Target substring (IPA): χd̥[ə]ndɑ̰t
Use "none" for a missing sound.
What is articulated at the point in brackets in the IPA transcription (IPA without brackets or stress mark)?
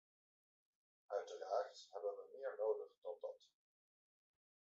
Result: ɑ